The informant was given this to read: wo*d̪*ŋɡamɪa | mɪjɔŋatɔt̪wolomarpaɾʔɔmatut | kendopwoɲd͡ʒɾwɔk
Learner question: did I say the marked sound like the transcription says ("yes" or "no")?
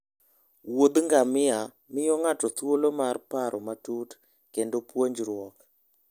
yes